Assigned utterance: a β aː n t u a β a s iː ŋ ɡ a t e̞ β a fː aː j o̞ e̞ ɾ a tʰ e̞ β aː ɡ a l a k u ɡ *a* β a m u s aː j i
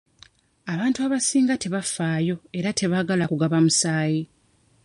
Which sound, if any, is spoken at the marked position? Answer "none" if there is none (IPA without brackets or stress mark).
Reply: a